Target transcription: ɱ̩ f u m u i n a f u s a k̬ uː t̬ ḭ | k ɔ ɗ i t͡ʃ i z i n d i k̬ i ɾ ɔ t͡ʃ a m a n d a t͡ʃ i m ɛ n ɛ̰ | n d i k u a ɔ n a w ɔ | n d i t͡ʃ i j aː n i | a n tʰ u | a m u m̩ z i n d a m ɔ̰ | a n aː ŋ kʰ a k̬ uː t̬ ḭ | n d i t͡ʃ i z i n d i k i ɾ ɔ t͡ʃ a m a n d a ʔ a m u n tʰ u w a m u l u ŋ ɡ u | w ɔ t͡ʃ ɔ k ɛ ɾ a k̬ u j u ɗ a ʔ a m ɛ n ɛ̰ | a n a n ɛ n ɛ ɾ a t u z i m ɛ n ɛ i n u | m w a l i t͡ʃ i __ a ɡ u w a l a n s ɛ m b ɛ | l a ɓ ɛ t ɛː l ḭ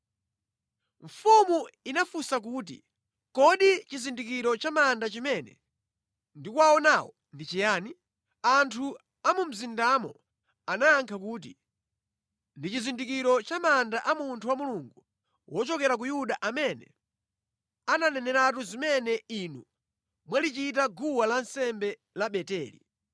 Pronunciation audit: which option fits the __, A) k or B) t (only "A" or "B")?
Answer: B